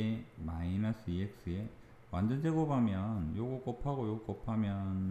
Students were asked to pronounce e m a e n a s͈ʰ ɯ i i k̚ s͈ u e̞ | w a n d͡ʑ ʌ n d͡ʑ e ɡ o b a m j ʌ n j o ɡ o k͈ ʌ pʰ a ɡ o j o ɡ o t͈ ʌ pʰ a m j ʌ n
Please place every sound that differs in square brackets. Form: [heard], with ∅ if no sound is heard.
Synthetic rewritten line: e m a [i] n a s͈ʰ ɯ i [e] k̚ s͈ [ɯ] e̞ | w a n d͡ʑ ʌ n d͡ʑ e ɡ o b a m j ʌ n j o ɡ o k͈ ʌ pʰ a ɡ o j o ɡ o [k͈] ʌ pʰ a m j ʌ n